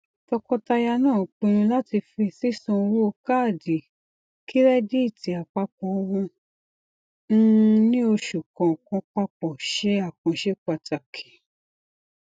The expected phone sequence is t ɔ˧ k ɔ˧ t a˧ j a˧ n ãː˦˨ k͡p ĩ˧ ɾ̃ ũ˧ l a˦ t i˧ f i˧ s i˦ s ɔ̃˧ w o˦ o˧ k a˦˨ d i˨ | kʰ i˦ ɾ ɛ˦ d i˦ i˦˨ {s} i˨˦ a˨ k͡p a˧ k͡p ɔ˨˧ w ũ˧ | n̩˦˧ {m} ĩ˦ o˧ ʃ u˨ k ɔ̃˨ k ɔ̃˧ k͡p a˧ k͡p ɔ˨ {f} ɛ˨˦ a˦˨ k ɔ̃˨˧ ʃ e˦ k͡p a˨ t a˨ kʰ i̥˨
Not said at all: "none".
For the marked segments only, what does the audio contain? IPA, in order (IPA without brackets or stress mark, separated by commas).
t, n, ʃ